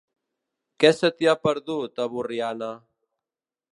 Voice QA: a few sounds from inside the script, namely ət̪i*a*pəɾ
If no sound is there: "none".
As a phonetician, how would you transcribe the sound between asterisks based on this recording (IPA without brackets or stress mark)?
a